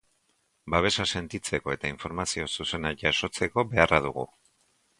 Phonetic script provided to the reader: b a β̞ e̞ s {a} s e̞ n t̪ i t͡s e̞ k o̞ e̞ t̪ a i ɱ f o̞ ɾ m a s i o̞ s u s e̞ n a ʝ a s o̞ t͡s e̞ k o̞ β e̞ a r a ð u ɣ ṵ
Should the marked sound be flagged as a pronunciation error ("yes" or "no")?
no